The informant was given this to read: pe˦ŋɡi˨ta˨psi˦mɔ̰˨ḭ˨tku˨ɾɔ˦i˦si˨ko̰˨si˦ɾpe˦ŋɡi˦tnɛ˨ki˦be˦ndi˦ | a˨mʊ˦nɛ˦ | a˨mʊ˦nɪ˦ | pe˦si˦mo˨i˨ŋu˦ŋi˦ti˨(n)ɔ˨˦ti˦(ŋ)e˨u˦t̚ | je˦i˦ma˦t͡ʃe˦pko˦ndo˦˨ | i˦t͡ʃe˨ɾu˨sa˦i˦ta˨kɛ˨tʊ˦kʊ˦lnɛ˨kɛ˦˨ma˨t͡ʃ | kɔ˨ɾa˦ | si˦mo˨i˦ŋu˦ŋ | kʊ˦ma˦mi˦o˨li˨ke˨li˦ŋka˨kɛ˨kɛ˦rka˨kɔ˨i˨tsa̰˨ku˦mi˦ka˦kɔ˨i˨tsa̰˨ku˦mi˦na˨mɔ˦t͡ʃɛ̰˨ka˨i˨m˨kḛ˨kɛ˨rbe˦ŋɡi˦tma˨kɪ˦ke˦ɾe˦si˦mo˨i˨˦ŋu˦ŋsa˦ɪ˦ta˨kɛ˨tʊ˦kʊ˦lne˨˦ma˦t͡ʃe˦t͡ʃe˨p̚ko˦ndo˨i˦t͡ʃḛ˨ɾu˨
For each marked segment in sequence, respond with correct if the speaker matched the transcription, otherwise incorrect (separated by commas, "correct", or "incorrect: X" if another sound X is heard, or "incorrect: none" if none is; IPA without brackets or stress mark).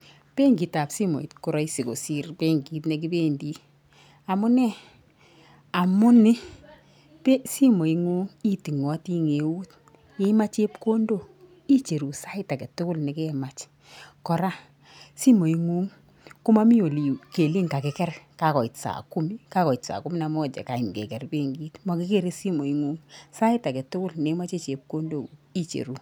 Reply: incorrect: ŋ, correct